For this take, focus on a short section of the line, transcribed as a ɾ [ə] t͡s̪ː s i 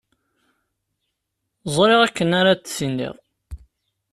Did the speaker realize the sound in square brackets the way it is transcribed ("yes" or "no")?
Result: no